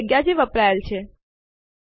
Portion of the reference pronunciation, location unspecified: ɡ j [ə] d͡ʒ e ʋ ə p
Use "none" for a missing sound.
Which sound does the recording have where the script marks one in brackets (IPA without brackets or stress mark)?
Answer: a